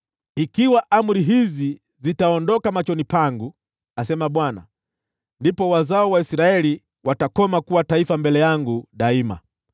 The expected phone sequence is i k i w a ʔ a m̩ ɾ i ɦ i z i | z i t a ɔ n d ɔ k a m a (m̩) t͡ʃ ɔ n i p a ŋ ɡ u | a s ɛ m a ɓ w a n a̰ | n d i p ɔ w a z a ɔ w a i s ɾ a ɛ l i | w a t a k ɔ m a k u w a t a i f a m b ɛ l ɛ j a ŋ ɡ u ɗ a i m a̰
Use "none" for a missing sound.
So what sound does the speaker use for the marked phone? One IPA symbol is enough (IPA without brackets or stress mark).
none